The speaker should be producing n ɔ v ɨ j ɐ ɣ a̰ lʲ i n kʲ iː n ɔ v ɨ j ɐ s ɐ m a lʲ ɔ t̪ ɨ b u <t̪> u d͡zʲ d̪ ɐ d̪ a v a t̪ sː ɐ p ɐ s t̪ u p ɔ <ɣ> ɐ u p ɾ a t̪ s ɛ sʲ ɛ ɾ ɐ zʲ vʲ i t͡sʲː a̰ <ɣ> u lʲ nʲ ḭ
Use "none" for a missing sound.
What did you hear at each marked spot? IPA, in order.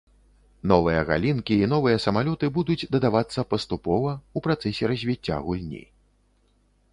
d̪, v, ɣ

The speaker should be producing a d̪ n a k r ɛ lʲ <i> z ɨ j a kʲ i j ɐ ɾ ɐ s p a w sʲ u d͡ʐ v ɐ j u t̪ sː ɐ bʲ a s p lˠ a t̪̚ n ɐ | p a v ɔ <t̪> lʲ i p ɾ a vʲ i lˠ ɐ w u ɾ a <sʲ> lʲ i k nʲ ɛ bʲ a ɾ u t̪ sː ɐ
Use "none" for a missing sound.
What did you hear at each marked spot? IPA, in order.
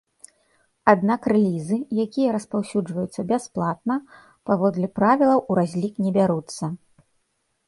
i, d̪, zʲ

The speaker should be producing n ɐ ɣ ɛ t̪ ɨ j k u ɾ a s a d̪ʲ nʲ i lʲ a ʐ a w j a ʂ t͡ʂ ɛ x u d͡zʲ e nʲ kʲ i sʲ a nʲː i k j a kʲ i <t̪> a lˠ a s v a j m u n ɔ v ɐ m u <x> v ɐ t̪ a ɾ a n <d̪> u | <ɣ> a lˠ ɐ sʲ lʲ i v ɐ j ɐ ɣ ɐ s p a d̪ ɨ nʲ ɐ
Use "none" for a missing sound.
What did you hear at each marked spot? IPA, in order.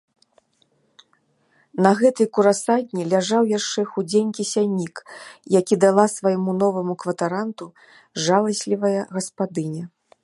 d̪, k, t̪, ʐ

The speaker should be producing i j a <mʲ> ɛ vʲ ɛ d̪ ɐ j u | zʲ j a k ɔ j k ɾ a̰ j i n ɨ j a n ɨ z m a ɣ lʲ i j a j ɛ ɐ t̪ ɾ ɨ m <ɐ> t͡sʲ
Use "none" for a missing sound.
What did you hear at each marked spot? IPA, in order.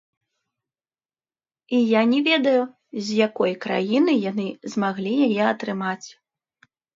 nʲ, a

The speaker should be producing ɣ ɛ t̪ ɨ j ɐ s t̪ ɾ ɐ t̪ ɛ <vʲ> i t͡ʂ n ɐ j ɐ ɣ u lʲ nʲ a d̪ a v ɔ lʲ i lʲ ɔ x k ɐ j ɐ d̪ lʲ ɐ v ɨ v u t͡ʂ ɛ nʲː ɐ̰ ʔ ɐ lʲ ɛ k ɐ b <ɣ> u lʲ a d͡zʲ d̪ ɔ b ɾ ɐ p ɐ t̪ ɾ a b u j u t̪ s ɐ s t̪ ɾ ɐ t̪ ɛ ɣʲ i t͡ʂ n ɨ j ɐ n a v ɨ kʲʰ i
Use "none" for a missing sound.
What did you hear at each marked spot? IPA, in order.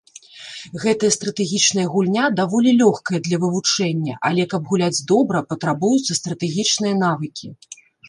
ɣʲ, ɣ

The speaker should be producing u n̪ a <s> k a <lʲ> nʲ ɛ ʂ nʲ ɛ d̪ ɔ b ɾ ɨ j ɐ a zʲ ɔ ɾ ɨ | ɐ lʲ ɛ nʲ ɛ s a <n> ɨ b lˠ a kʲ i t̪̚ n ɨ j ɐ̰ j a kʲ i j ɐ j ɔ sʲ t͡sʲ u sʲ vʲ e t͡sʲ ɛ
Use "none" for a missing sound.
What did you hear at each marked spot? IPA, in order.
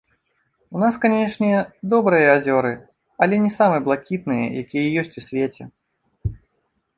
s, none, m

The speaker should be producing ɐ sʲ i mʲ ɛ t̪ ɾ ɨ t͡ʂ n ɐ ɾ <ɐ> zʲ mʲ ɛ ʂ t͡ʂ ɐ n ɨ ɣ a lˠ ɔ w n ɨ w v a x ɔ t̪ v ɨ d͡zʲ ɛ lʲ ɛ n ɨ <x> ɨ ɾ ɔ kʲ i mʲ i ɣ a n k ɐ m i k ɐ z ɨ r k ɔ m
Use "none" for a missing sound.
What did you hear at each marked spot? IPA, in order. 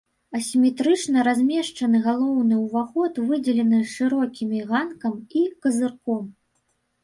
a, ʂ

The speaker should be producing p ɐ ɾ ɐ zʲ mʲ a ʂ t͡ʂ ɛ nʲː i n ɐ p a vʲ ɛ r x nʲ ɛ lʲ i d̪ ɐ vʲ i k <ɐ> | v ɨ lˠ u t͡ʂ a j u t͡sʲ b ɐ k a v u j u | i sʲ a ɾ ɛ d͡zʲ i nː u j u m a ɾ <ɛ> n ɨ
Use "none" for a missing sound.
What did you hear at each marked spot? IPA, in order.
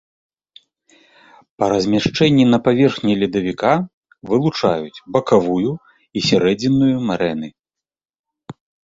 a, ɛ

